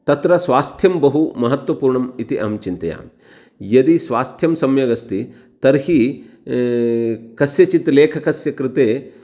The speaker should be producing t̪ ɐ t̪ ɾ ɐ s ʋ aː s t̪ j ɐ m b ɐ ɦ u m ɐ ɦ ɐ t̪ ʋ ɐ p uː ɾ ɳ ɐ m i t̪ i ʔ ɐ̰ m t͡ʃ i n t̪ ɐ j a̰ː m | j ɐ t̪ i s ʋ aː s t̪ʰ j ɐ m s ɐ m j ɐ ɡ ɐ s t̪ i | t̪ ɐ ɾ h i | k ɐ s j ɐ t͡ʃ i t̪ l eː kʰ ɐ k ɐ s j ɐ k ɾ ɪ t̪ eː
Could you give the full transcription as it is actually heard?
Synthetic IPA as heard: t̪ ɐ t̪ ɾ ɐ s ʋ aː s t̪ʰ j ɐ m b ɐ ɦ u m ɐ ɦ ɐ t̪ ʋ ɐ p uː ɾ ɳ ɐ m i t̪ i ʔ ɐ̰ m t͡ʃ i n t̪ ɐ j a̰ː m | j ɐ d̪ i s ʋ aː s t̪ʰ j ɐ m s ɐ m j ɐ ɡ ɐ s t̪ i | t̪ ɐ ɾ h i | k ɐ s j ɐ t͡ʃ i t̪ l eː kʰ ɐ k ɐ s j ɐ k ɾ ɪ t̪ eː